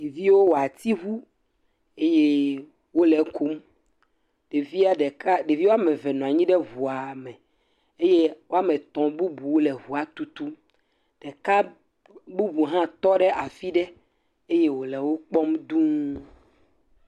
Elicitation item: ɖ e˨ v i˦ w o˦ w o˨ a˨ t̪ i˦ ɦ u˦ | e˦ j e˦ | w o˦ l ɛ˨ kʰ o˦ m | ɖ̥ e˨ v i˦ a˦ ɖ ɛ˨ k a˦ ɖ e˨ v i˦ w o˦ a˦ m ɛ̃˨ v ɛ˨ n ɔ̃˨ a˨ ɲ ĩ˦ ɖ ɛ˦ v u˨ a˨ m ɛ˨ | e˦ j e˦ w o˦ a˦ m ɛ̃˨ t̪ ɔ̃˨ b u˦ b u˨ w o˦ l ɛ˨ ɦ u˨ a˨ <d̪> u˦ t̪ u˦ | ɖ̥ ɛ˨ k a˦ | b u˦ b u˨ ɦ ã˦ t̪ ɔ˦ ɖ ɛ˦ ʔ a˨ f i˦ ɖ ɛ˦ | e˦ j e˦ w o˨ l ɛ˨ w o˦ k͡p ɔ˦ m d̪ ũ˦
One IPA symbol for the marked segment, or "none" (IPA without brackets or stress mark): t̪